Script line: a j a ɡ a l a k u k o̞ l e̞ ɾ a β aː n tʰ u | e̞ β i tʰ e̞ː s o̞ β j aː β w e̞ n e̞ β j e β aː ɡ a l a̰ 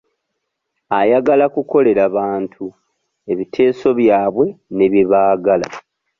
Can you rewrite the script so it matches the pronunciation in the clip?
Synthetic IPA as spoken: a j a ɡ a l a k u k o̞ l e̞ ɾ a β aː n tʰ u | e̞ β i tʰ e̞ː s o̞ β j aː β w e̞ n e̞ β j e β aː ɡ a l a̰